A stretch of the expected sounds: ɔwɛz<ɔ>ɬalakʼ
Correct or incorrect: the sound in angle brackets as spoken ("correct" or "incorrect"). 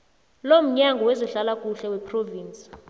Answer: correct